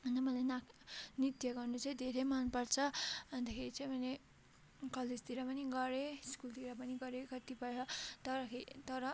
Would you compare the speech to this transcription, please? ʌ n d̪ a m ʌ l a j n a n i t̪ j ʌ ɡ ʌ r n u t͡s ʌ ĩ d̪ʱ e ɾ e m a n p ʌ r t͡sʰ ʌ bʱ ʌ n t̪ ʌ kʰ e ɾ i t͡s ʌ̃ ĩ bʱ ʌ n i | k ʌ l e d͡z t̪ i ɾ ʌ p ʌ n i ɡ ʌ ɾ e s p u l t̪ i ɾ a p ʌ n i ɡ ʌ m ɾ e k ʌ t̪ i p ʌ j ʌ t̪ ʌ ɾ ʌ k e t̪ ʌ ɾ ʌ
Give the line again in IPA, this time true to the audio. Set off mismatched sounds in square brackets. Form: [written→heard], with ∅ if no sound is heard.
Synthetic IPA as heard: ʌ n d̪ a m ʌ l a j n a n i t̪ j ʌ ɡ ʌ r n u t͡s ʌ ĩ d̪ʱ e ɾ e m a n p ʌ r t͡sʰ ʌ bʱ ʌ n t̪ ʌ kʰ e ɾ i t͡s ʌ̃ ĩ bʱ ʌ n [i→e] | k ʌ l e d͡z t̪ i ɾ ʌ p ʌ n i ɡ ʌ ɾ e s [p→k] u l t̪ i ɾ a p ʌ n i ɡ ʌ [m→∅] ɾ e k ʌ t̪ i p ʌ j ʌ t̪ ʌ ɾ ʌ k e t̪ ʌ ɾ ʌ